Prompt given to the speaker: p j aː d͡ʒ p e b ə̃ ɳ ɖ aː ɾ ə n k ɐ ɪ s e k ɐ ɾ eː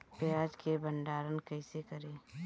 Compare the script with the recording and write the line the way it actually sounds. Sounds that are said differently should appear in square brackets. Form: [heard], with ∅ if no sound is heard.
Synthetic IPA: p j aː d͡ʒ [k] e b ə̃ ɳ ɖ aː ɾ ə n k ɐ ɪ s e k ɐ ɾ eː